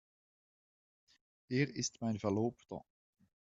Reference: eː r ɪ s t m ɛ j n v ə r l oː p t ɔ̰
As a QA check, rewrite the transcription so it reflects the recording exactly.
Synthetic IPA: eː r ɪ s t m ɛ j n v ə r l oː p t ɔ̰